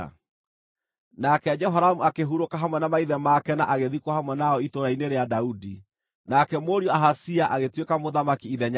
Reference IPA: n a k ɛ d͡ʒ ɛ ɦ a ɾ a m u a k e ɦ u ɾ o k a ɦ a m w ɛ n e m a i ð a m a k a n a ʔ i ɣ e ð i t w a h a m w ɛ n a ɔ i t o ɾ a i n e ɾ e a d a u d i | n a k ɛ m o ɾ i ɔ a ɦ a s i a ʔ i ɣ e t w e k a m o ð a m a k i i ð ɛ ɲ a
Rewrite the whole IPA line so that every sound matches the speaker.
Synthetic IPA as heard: n a k ɛ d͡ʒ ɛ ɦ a ɾ a m u a k e ɦ u ɾ o k a ɦ a m w ɛ n a m a i ð ɛ m a k ɛ n a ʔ a ɣ e ð i k w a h a m w ɛ n a ɔ i t o ɾ a i n e ɾ e a d a u d i | n a k ɛ m o ɾ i ɔ a ɦ a s i a ʔ a ɣ e t w e k a m o ð a m a k i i ð ɛ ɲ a